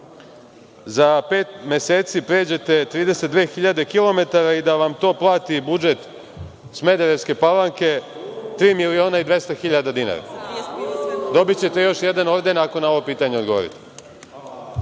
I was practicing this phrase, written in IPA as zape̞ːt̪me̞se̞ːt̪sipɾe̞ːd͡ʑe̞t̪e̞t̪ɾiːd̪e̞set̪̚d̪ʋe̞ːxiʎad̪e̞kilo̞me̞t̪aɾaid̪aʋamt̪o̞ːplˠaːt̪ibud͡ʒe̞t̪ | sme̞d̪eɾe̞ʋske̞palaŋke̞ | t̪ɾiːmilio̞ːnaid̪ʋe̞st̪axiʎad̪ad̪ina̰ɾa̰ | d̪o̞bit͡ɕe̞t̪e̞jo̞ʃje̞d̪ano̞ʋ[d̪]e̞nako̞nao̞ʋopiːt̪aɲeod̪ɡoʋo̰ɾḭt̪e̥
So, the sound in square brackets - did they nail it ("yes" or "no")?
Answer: yes